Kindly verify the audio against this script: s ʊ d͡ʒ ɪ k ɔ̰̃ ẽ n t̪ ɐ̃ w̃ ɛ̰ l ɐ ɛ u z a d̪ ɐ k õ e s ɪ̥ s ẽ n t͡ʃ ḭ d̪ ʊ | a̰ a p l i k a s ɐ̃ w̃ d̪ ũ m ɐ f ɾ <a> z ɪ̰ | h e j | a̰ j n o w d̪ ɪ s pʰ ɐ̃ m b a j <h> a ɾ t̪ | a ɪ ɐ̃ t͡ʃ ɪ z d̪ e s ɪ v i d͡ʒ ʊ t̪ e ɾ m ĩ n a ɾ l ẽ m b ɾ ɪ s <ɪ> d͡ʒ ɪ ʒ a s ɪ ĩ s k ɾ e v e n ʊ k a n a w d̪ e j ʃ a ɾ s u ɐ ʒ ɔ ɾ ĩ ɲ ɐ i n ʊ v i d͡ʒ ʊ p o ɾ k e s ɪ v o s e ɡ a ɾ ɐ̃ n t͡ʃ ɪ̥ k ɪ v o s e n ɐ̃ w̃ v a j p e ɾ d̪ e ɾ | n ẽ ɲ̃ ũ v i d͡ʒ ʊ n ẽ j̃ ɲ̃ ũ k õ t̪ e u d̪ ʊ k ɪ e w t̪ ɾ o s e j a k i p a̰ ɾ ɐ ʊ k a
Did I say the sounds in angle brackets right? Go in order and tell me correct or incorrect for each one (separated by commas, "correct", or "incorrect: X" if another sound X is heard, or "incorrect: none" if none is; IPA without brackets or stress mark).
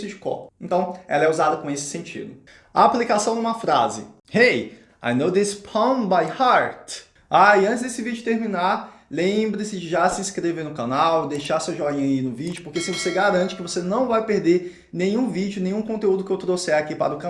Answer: correct, correct, correct